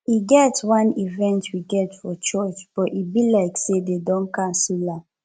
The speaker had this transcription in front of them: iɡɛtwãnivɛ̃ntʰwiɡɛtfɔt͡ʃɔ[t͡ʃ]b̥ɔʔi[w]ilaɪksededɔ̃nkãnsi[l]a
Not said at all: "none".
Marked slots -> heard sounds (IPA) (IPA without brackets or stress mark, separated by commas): t͡ʃ, b, l